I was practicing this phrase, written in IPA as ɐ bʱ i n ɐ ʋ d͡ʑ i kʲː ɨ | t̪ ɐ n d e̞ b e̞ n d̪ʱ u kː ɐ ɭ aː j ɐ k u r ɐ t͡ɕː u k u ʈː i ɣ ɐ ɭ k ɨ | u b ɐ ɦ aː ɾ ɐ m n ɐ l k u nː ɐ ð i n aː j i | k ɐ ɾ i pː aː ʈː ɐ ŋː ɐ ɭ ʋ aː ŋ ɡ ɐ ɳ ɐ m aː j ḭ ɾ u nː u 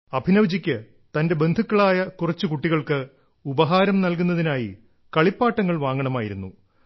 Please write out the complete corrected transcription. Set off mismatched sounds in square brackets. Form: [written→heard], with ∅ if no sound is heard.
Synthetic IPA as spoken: ɐ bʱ i n ɐ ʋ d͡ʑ i kʲː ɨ | t̪ ɐ n d e̞ b e̞ n d̪ʱ u kː ɐ ɭ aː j ɐ k u r ɐ t͡ɕː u k u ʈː i ɣ ɐ ɭ k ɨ | u b ɐ ɦ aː ɾ ɐ m n ɐ l k u nː ɐ ð i n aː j i | k ɐ [ɾ→ɭ] i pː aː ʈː ɐ ŋː ɐ ɭ ʋ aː ŋ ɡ ɐ ɳ ɐ m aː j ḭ ɾ u nː u